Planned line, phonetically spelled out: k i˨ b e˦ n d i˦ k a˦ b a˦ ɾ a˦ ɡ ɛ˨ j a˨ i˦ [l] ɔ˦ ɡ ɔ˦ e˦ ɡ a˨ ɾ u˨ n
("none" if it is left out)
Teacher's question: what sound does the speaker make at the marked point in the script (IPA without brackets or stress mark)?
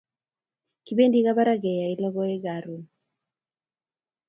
l